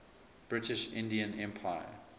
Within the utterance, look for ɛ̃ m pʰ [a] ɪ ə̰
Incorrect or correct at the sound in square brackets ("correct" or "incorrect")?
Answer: correct